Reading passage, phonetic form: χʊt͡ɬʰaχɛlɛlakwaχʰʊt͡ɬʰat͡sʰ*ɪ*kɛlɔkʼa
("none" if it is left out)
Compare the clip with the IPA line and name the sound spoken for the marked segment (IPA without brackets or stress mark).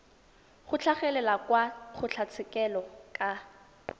ɪ